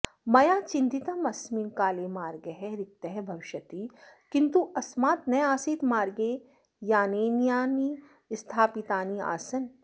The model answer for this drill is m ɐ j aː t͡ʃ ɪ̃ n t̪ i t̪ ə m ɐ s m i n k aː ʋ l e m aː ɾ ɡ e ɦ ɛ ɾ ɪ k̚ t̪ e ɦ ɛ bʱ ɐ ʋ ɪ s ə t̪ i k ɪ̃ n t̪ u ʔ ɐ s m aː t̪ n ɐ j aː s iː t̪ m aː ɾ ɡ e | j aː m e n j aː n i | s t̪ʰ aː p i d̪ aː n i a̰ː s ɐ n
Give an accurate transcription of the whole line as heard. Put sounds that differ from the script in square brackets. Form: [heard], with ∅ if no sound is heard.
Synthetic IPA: m ɐ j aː t͡ʃ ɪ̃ n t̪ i t̪ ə m ɐ s m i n k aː [∅] l e m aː ɾ ɡ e ɦ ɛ ɾ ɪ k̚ t̪ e ɦ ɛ bʱ ɐ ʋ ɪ [ʃ] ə t̪ i k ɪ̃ n t̪ u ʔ ɐ s m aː t̪ n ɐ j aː s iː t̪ m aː ɾ ɡ e | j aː [n] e n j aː n i | s t̪ʰ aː p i [t̪] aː n i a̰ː s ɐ n